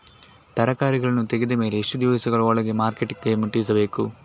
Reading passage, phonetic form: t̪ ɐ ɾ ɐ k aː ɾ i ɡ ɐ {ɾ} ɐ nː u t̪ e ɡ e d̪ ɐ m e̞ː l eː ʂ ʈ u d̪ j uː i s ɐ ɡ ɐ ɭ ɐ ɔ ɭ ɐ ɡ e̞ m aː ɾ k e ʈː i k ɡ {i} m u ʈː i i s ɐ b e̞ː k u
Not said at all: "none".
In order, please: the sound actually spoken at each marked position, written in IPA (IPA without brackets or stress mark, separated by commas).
ɭ, e